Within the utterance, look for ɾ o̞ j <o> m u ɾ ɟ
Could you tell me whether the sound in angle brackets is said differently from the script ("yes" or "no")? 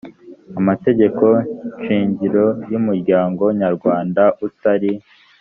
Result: yes